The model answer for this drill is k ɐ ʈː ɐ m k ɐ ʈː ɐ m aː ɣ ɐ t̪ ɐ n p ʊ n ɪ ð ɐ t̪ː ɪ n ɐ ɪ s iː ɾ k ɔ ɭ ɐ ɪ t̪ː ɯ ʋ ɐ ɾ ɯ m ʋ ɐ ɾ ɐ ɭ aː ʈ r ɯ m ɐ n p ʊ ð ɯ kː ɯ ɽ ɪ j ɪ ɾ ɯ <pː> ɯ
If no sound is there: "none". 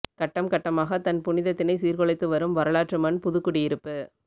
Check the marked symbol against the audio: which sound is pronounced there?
pː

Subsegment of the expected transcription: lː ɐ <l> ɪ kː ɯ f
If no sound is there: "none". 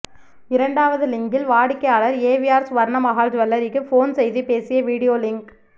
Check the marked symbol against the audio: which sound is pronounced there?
ɾ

